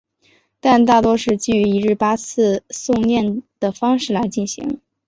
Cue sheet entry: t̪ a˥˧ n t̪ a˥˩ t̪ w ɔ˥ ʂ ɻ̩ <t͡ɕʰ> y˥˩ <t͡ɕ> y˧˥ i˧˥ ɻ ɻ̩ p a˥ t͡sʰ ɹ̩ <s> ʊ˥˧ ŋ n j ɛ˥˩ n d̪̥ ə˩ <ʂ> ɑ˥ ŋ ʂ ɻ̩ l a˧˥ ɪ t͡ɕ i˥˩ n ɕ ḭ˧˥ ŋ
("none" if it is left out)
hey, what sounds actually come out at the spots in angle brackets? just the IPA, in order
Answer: t͡ɕ, none, s, f

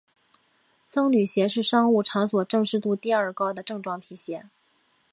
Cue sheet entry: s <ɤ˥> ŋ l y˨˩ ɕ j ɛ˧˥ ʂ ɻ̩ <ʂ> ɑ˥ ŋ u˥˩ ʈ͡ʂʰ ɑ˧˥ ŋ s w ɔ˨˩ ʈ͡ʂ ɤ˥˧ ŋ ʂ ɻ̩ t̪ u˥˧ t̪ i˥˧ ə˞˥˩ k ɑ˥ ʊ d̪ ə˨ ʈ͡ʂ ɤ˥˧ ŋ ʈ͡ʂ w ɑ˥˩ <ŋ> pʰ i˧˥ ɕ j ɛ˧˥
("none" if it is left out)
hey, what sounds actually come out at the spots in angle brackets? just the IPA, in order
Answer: ɤ˥, ʂ, ŋ

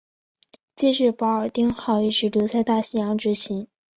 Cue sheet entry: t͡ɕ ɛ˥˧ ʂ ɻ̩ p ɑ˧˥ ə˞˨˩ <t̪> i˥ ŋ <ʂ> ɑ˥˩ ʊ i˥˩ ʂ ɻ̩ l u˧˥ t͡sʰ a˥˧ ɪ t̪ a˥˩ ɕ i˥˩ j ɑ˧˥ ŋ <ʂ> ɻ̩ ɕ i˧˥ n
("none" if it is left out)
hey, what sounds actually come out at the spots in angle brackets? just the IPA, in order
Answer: t̪, x, ʈ͡ʂ

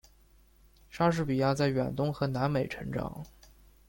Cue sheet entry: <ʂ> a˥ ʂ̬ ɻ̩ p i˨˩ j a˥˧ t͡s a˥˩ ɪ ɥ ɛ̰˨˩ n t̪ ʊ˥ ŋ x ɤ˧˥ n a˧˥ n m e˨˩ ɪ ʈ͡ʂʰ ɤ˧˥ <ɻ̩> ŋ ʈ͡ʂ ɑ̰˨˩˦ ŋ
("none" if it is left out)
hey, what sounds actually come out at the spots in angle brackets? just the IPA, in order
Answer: ʂ, none

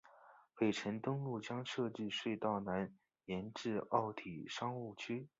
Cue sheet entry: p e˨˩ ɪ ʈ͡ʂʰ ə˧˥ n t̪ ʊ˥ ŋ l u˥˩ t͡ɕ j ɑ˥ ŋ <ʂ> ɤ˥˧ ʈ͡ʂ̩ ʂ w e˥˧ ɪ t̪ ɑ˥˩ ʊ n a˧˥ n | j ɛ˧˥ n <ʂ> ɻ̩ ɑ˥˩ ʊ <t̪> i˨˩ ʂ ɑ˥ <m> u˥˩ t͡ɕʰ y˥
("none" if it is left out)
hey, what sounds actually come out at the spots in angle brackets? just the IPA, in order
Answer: ʂ, ʈ͡ʂ, t̪ʰ, ŋ

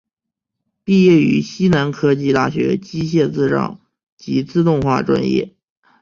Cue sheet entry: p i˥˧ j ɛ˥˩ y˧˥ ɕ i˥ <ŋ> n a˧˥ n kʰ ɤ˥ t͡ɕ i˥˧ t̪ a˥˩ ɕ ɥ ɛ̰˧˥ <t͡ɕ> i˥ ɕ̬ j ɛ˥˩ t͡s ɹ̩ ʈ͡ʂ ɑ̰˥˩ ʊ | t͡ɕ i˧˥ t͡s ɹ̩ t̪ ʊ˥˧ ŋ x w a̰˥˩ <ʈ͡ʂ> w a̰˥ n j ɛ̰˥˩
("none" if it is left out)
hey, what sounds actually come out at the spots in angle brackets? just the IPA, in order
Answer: none, t͡ɕ, ʈ͡ʂ

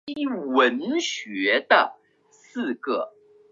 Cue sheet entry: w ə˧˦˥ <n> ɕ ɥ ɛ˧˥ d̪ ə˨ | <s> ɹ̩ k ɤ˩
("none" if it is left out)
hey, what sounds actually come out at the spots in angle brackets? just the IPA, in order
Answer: n, s

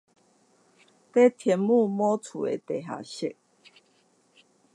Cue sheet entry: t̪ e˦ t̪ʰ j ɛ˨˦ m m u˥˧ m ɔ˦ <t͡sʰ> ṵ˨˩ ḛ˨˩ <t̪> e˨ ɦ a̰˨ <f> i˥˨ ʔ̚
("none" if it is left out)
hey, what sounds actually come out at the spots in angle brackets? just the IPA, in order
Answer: t͡sʰ, t̪, ɕ

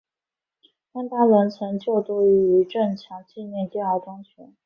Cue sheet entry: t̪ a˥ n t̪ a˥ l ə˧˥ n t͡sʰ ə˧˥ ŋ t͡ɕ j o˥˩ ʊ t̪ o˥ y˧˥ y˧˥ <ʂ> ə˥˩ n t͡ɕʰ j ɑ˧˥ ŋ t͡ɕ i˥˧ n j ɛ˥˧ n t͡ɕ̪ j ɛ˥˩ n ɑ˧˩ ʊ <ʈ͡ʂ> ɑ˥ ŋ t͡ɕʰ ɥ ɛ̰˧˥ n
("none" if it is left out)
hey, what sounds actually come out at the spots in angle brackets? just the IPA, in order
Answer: ʈ͡ʂ, ʈ͡ʂ

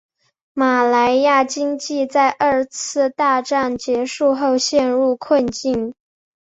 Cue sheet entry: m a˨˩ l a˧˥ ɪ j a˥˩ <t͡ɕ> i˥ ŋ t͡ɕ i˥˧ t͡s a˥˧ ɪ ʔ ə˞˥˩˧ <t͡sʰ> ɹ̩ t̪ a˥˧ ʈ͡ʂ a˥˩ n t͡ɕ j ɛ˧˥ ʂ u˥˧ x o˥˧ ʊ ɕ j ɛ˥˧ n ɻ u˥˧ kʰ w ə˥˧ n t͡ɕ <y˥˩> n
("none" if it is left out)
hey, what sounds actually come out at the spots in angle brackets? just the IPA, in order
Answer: t͡ɕ, t͡sʰ, i˥˩

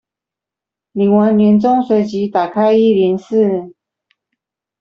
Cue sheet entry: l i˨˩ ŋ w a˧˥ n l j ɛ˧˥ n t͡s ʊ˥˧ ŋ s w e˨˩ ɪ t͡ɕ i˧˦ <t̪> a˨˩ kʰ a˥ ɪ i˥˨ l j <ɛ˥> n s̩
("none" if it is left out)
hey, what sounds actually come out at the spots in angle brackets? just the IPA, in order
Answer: t̪, ɛ˧˥

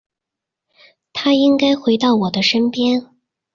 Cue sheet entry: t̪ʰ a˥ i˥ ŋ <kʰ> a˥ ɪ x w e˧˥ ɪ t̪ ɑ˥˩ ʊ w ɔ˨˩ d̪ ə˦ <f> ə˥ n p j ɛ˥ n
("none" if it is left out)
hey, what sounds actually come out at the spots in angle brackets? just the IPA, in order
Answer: k, ʂ

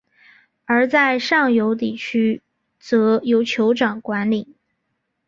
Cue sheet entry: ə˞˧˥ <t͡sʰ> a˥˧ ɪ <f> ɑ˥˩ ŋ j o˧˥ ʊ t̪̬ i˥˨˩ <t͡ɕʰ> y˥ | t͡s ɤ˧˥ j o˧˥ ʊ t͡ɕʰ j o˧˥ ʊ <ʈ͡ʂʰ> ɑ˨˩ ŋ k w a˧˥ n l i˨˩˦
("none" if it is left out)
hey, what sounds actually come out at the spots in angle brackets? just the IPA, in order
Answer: t͡s, ʂ, t͡ɕʰ, ʈ͡ʂ

